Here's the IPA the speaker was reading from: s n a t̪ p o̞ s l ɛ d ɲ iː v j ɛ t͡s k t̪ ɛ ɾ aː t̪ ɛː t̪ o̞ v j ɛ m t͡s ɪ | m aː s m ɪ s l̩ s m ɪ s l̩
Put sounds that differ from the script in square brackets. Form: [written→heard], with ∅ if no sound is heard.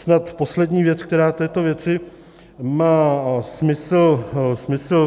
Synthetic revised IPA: s n a t̪ p o̞ s l ɛ d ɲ iː v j ɛ t͡s k t̪ ɛ ɾ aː t̪ ɛː t̪ o̞ v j ɛ [m→∅] t͡s ɪ | m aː s m ɪ s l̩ s m ɪ s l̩